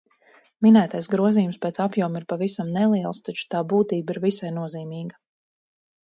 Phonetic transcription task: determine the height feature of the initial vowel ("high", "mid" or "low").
high